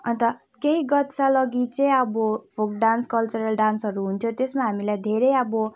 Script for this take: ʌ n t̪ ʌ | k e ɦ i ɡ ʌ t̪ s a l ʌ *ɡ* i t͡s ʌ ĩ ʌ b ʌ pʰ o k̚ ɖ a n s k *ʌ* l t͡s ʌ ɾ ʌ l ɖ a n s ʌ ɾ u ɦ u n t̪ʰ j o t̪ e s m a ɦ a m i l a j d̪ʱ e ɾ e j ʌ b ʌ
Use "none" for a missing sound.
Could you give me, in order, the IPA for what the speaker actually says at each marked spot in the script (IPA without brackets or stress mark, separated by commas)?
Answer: ɡ, ʌ